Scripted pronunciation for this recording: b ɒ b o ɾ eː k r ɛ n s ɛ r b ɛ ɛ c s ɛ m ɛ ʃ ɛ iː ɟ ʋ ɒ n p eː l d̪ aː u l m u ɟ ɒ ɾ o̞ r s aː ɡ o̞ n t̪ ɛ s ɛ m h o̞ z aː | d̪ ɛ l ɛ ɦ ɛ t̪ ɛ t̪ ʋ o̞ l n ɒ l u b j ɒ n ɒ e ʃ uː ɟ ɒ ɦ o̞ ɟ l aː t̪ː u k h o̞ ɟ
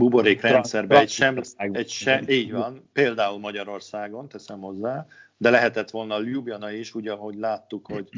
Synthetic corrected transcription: b u b o ɾ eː k r ɛ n s ɛ r b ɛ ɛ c ʃ ɛ m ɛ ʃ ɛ iː ɟ ʋ ɒ n p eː l d̪ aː u l m ɒ ɟ ɒ ɾ o̞ r s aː ɡ o̞ n t̪ ɛ s ɛ m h o̞ zː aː | d̪ ɛ l ɛ ɦ ɛ t̪ ɛ t̪ ʋ o̞ l n ɒ l u b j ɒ n ɒ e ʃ uː ɟ ɒ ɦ o̞ ɟ l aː t̪ː u k h o̞ ɟ